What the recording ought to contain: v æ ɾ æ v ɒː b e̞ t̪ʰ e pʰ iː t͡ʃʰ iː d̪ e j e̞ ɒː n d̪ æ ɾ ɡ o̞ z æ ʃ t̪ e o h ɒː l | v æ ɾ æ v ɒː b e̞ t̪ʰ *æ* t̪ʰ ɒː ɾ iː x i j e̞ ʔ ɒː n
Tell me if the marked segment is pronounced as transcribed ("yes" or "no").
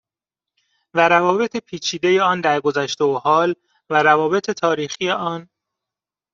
no